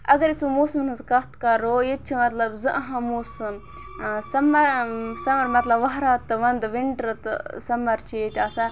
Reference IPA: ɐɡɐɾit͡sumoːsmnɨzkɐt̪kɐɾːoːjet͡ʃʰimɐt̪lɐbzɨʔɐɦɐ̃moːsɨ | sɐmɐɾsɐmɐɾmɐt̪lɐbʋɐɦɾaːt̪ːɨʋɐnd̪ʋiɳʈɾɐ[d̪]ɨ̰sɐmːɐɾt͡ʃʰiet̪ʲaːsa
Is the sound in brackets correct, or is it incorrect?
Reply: incorrect